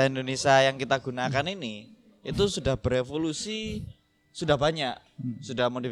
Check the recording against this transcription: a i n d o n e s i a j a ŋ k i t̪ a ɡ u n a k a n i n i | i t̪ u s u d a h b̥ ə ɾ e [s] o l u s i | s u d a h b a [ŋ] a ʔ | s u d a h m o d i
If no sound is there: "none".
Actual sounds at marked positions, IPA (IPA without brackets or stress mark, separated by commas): f, ɲ